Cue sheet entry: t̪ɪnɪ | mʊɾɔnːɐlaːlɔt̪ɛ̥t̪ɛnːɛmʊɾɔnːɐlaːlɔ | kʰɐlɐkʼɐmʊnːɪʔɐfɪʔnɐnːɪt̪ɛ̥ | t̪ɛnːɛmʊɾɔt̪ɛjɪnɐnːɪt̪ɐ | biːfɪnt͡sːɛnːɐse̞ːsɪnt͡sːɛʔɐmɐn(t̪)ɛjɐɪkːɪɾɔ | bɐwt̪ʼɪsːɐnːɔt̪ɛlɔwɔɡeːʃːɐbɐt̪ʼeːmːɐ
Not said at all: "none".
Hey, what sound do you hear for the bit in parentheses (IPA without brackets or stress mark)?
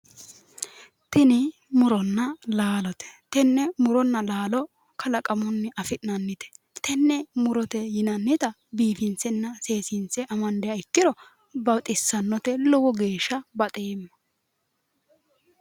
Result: d̪